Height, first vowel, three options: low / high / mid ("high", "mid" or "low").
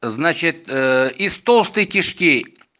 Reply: low